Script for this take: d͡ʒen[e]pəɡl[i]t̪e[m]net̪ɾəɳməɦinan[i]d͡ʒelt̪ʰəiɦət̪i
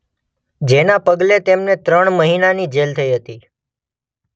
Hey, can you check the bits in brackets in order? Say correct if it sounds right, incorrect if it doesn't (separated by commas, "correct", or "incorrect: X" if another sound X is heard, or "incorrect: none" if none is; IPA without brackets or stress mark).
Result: incorrect: a, incorrect: e, correct, correct